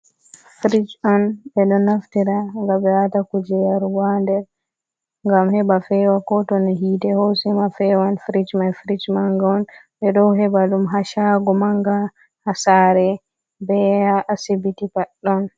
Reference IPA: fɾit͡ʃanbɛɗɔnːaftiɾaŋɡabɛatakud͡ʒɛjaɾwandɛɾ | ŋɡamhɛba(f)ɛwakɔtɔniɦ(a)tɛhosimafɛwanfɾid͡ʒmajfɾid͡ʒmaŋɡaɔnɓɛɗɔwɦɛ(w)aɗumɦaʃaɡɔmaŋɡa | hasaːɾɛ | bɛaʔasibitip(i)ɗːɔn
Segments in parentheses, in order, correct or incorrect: correct, incorrect: i, incorrect: b, incorrect: a

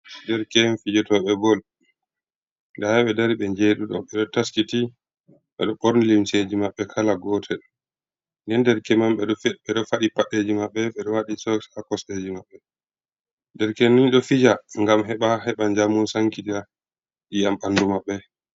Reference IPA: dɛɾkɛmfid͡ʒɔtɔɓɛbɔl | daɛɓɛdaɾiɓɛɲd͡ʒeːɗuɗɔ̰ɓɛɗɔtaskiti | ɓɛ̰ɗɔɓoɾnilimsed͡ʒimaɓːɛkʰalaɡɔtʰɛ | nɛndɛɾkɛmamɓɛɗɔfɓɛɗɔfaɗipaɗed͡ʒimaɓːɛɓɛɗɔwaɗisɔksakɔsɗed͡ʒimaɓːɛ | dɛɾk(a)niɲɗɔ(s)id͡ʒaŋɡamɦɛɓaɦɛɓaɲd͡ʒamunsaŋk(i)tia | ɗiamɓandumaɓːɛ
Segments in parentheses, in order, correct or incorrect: incorrect: ɛ, incorrect: f, correct

